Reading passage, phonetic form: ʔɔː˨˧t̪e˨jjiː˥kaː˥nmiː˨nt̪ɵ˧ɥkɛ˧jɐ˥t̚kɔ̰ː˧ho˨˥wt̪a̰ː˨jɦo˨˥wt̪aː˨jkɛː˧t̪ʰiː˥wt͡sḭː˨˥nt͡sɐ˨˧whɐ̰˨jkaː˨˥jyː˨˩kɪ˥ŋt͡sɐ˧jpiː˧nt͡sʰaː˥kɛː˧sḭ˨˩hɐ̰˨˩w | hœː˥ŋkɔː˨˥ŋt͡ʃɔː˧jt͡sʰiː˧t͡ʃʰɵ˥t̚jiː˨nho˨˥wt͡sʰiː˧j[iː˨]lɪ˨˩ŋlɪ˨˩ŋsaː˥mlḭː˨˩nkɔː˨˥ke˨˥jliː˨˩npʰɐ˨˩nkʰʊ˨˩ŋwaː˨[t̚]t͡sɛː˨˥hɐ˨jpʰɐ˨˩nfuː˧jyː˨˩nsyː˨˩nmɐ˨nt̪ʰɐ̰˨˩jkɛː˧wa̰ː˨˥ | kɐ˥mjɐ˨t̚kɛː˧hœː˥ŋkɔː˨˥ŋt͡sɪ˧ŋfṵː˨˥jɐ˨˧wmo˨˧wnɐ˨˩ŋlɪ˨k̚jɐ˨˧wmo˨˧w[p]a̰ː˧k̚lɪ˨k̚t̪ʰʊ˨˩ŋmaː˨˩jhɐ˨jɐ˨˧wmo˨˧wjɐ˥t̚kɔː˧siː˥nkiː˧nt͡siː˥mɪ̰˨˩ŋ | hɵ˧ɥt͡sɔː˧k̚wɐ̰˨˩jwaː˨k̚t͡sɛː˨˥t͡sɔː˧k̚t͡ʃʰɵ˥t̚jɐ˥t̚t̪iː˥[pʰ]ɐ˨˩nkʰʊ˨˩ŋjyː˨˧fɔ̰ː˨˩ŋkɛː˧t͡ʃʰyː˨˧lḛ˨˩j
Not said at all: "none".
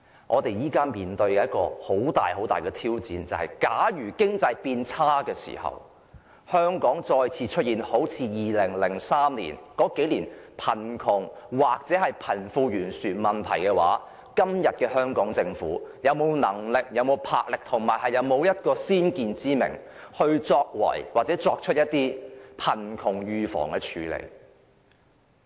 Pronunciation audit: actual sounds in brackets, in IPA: iː˨, k̚, pʰ, pʰ

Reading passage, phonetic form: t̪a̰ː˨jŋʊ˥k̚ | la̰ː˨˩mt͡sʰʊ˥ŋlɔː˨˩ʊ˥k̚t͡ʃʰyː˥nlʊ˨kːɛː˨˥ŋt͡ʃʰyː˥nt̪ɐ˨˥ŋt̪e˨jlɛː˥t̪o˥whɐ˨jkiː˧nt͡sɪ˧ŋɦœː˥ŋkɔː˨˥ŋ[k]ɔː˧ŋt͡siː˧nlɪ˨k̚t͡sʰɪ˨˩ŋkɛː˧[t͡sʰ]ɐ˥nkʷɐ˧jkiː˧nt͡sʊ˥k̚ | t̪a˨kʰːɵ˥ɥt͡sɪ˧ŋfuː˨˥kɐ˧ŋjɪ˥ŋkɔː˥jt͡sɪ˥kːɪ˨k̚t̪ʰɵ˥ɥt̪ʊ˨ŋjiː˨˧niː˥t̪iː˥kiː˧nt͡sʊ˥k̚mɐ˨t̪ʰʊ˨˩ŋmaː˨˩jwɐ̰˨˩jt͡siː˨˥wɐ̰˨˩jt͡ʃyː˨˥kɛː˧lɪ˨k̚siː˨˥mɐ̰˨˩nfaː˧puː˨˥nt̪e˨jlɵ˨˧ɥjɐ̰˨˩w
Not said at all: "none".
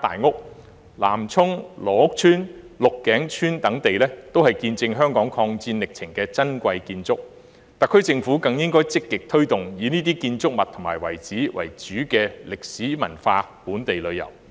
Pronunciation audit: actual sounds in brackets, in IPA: kʰ, t͡s

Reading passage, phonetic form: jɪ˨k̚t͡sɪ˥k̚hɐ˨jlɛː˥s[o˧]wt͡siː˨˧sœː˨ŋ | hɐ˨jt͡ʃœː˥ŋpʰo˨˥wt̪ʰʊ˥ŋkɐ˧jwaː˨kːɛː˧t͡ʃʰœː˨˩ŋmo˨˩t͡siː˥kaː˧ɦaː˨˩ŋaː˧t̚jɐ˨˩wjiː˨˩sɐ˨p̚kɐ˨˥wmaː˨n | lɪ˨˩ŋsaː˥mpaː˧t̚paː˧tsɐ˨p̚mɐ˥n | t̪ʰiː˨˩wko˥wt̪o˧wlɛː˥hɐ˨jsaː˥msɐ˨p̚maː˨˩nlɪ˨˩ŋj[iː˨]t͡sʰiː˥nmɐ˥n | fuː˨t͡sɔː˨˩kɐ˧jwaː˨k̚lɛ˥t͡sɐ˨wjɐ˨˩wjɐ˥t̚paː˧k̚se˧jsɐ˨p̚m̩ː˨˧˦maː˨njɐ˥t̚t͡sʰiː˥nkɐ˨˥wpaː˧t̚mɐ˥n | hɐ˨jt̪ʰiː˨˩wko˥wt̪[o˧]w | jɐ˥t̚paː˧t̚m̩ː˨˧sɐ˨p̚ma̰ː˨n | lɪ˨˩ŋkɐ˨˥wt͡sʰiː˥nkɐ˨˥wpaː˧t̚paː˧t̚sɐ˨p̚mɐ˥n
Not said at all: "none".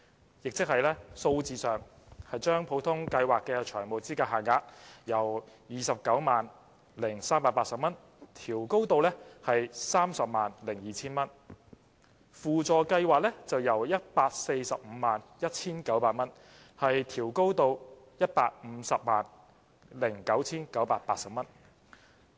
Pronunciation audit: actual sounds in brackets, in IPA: o˧, iː˨, o˧

